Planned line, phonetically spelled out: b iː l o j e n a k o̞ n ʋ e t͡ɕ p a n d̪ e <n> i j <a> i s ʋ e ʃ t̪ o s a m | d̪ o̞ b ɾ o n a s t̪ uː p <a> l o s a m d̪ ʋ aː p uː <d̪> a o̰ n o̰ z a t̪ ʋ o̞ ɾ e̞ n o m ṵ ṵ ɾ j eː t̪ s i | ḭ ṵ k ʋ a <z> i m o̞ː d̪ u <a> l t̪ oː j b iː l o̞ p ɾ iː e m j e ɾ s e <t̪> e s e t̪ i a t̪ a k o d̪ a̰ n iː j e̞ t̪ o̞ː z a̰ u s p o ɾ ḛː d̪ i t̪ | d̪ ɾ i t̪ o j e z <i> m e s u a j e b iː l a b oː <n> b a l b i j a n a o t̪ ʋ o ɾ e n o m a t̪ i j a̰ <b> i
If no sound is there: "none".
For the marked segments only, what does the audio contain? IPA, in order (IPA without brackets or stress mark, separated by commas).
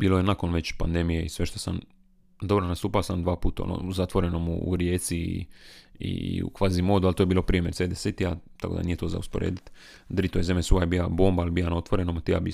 m, e, a, t̪, z, a, d̪, e, m, b